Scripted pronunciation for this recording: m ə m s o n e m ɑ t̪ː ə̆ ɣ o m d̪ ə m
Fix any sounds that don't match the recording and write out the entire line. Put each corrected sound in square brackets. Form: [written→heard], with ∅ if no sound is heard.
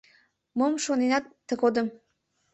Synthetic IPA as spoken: m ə m [s→ʃ] o n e [m→n] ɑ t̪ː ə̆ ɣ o [m→∅] d̪ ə m